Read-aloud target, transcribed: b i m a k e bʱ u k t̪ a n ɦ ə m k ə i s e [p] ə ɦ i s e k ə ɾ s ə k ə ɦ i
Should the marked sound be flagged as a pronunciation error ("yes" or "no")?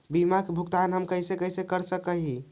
yes